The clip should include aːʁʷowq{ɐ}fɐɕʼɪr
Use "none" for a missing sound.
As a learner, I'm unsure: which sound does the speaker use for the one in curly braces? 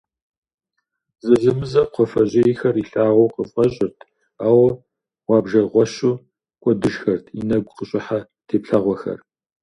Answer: ə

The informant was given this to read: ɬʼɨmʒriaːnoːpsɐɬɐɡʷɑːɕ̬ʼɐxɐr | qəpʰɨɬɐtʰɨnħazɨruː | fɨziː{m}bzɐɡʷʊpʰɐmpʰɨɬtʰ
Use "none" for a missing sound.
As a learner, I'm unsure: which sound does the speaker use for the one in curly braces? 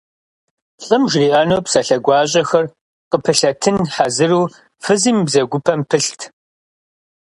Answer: m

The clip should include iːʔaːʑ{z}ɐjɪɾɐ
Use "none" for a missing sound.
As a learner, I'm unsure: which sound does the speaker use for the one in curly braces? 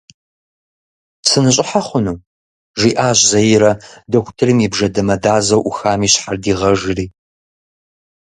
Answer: z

